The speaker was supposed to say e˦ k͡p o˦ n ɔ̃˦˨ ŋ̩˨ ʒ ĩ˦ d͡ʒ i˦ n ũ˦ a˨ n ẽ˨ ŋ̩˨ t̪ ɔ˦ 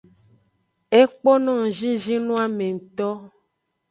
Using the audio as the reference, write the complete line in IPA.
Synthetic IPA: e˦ k͡p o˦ n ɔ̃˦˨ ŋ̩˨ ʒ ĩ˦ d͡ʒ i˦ n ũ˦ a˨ m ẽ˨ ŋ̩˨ t̪ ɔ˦